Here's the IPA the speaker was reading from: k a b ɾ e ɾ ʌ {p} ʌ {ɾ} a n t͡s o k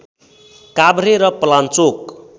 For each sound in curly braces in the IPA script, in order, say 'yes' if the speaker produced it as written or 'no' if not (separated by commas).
yes, no